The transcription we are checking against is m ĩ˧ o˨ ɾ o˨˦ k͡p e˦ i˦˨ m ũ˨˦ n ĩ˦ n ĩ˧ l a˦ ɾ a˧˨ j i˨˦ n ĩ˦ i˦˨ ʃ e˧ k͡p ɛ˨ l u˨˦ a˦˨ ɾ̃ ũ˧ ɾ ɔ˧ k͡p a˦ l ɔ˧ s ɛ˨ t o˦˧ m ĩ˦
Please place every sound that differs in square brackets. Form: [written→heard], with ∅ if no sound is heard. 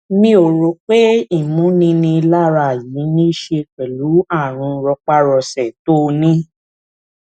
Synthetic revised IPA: m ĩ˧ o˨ ɾ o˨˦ k͡p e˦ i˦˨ m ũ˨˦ n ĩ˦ n ĩ˧ l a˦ ɾ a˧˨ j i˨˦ n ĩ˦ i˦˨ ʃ e˧ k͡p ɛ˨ l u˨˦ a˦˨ ɾ̃ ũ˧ ɾ ɔ˧ k͡p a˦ [l→ɾ] ɔ˧ s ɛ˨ t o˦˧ [m→n] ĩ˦